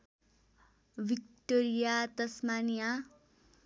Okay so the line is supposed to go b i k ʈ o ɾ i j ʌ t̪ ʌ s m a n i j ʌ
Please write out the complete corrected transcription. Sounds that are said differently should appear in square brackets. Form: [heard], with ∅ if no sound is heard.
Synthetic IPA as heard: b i k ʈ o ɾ i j [a] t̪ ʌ s m a n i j [a]